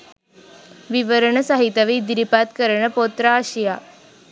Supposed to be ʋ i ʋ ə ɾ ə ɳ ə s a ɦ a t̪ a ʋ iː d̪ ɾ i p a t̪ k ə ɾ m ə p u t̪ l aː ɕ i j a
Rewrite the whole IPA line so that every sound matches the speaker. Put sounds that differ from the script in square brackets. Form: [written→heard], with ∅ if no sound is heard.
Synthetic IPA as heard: ʋ i ʋ ə ɾ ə ɳ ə s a ɦ [a→i] t̪ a ʋ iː d̪ ɾ i p a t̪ k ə ɾ [m→ɳ] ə p [u→o] t̪ [l→ɾ] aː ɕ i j a